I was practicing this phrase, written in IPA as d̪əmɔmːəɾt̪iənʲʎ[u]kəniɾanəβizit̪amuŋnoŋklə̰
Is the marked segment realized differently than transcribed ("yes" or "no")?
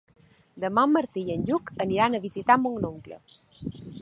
no